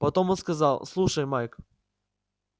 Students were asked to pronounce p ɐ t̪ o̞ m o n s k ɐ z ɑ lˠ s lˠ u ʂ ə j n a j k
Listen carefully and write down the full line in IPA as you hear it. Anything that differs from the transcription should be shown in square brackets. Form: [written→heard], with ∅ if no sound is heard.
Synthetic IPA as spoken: p ɐ t̪ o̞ m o n s k ɐ z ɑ lˠ s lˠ u ʂ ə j [n→m] a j k